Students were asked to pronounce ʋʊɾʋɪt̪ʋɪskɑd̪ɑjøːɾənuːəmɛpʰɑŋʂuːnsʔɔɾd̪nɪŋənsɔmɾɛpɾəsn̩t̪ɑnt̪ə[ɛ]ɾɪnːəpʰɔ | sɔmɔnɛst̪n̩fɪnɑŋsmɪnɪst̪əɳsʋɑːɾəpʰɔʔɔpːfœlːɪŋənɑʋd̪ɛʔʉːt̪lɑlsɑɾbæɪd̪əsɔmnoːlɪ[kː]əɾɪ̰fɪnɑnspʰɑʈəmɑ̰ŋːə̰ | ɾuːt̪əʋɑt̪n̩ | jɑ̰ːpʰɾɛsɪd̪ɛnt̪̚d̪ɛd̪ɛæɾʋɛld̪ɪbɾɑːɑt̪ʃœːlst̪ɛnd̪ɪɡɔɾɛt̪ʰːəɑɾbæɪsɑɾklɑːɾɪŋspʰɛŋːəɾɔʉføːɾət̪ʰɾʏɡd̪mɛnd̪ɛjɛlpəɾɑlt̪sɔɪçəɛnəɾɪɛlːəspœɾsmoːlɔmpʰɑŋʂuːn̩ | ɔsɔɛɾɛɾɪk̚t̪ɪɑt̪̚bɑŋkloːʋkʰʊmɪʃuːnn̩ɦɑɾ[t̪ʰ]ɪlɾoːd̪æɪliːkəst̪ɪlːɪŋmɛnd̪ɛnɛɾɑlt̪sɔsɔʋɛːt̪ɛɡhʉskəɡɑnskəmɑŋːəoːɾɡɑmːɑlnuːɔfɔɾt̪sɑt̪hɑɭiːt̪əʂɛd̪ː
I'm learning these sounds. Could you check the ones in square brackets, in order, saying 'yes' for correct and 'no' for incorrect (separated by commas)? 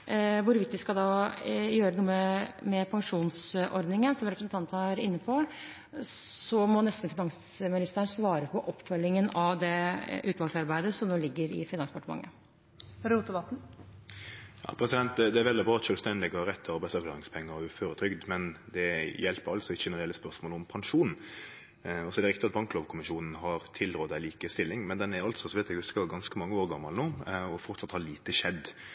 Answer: no, no, yes